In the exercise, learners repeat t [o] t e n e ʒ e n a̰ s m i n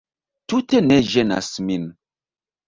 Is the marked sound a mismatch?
yes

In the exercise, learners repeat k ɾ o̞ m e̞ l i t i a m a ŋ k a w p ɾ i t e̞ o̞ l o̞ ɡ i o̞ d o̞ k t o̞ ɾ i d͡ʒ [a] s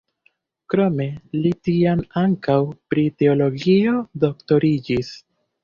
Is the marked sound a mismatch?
yes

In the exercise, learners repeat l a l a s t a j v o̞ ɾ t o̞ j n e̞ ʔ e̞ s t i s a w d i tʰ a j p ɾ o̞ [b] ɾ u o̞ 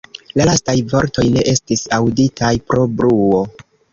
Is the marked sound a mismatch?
no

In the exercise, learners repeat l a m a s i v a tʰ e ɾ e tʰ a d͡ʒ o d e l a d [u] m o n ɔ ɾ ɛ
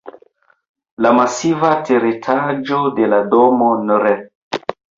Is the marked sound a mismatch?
yes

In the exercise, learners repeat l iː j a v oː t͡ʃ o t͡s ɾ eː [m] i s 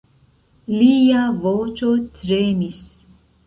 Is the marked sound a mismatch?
no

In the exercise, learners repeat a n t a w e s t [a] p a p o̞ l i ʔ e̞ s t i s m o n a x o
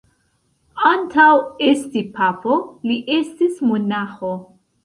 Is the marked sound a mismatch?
yes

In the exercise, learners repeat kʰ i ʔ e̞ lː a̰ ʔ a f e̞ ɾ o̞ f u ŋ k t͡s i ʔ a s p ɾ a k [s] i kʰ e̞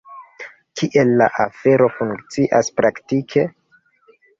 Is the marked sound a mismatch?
yes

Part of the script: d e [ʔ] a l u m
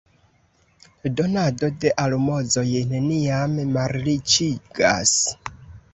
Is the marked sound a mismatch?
no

